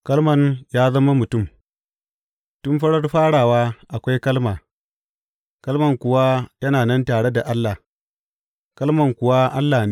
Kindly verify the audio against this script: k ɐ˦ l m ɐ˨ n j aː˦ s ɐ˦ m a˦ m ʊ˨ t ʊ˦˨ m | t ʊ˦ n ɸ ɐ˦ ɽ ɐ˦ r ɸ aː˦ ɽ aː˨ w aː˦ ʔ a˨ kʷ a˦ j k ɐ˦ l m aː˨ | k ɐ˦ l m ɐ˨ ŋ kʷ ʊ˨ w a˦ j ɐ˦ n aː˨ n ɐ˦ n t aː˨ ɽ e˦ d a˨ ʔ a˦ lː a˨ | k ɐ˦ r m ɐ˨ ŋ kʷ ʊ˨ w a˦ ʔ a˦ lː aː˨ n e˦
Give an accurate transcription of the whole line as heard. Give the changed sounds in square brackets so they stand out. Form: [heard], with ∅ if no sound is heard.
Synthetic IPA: k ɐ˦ l m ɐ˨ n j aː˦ [z] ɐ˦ m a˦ m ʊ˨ t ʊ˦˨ m | t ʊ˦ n ɸ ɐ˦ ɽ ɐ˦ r ɸ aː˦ ɽ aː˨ w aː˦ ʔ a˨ kʷ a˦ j k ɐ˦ l m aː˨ | k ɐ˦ l m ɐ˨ ŋ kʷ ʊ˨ w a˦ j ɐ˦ n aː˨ n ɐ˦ n t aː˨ ɽ e˦ d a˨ ʔ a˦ lː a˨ | k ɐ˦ [l] m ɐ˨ ŋ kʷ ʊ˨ w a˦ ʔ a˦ lː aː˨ n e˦